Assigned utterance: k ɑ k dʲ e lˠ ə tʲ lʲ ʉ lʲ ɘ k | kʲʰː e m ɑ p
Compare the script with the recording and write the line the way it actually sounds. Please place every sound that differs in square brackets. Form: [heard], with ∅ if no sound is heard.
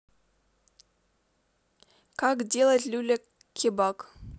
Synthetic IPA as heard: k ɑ k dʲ e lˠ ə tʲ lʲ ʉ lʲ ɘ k | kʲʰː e [b] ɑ [k]